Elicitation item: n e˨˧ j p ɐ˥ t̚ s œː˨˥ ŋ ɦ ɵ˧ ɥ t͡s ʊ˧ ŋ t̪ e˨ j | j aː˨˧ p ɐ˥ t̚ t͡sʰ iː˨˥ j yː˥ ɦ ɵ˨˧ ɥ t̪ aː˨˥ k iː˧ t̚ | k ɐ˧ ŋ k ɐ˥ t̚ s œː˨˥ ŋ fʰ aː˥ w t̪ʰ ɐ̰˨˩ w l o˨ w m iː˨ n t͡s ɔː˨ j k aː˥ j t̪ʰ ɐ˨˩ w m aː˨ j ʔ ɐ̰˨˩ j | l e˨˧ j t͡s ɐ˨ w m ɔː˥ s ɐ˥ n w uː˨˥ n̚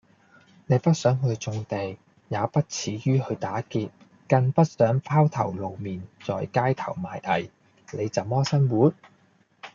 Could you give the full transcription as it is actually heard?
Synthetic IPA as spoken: n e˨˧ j p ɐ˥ t̚ s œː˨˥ ŋ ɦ ɵ˧ ɥ t͡s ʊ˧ ŋ t̪ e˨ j | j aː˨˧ p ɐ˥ t̚ t͡sʰ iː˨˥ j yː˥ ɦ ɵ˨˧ ɥ t̪ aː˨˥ k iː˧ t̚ | k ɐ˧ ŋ p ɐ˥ t̚ s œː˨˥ ŋ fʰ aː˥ w t̪ʰ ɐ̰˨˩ w l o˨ w m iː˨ n t͡s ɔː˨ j k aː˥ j t̪ʰ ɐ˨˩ w m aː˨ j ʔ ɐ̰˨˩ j | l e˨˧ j t͡s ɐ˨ w m ɔː˥ s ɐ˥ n w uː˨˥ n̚